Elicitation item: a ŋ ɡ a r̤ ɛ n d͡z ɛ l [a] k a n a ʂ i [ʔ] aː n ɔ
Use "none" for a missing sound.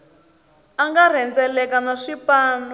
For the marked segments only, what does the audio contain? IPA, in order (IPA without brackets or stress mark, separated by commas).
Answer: ɛ, p